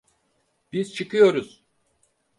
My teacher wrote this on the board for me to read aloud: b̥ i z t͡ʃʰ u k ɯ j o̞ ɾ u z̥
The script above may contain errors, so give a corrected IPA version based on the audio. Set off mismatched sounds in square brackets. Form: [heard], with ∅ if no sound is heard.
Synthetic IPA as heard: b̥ i z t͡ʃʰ [ɯ] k ɯ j o̞ ɾ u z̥